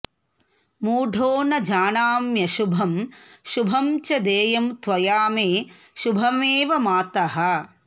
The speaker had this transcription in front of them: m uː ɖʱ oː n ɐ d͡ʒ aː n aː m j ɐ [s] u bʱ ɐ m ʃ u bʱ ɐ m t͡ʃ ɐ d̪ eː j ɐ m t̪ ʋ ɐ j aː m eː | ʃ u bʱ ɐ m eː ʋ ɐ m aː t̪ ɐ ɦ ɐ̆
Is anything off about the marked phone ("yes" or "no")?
yes